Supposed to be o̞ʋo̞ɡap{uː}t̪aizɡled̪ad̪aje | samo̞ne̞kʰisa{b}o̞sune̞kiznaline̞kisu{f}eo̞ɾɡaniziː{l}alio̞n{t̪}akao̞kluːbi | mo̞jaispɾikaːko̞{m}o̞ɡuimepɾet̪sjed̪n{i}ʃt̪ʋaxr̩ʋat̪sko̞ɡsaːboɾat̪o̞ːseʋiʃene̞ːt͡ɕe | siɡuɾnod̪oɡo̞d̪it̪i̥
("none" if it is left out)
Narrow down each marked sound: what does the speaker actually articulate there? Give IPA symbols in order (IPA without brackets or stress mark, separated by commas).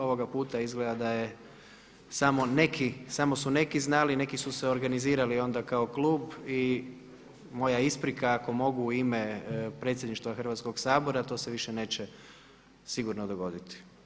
uː, m, s, ɾ, d̪, m, i